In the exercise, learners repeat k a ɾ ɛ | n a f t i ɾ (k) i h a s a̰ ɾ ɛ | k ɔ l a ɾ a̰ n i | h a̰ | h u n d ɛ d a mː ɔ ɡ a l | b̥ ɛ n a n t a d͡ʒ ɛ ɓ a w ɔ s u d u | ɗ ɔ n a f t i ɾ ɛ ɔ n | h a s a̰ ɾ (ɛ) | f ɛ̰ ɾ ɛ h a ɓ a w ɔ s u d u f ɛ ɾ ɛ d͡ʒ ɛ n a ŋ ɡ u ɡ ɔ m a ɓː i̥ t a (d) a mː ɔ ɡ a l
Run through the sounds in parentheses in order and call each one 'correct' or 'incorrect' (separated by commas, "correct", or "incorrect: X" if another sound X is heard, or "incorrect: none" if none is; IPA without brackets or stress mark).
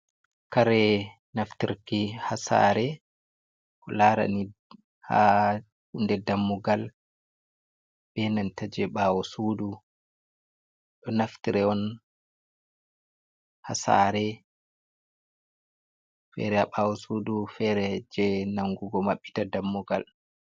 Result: correct, correct, correct